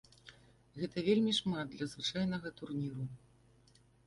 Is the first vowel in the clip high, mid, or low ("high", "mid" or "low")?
mid